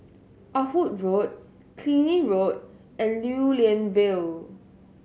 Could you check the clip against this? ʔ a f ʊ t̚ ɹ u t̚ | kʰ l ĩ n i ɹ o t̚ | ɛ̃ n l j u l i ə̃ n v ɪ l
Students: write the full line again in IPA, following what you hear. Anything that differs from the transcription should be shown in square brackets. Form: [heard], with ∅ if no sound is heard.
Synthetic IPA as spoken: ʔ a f [u] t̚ ɹ [o] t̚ | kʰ l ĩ n i ɹ o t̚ | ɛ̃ n l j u l i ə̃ n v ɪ l